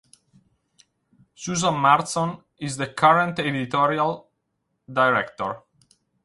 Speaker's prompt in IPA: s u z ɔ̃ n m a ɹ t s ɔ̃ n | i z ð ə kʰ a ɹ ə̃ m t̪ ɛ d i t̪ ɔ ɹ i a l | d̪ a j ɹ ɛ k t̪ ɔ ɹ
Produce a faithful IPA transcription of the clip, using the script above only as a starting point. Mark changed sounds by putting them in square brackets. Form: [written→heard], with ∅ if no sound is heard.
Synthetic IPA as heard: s u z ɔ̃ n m a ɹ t s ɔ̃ n | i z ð ə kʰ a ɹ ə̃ [m→n] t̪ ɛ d i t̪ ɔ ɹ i a l | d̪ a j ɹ ɛ k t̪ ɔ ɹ